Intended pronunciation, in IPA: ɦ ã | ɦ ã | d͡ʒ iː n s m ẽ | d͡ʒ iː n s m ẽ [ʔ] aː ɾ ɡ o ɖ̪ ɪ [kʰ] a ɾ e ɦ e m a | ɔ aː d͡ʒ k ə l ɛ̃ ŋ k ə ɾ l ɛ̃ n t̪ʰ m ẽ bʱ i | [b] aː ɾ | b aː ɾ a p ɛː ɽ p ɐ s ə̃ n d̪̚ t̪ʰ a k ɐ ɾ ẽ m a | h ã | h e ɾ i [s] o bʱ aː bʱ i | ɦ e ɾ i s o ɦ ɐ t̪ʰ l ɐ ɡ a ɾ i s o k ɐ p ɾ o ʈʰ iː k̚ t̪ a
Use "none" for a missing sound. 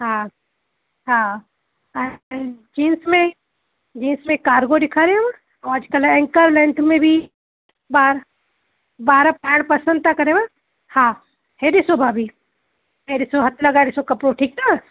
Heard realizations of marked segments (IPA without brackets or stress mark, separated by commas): k, kʰ, b, s